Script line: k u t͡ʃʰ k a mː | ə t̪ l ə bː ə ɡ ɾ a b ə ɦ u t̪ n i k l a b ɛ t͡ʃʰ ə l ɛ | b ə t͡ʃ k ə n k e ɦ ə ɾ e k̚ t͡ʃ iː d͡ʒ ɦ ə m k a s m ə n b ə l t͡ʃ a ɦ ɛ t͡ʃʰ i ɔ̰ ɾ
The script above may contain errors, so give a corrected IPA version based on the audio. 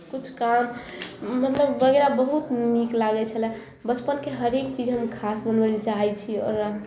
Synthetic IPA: k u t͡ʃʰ k a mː | ə t̪ l ə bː ə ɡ ɾ a b ə ɦ u t̪ n i k l a ɡ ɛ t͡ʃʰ ə l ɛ | b ə t͡ʃ p ə n k e ɦ ə ɾ e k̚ t͡ʃ i d͡ʒ ɦ ə m kʰ a s b ə n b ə l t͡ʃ a ɦ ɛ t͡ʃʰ i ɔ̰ ɾ